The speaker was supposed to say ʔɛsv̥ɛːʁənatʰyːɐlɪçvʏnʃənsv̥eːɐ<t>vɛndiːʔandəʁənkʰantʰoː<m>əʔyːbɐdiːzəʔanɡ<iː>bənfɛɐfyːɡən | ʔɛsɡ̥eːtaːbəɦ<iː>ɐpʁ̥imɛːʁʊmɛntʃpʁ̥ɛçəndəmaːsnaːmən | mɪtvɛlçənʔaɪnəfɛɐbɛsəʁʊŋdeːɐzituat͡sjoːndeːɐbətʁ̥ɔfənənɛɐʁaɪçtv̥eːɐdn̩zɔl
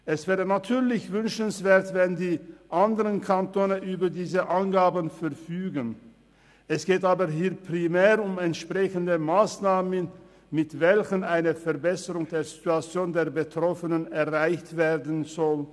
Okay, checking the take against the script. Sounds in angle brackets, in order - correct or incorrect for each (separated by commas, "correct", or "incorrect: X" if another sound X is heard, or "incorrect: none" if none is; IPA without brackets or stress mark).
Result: correct, incorrect: n, incorrect: aː, correct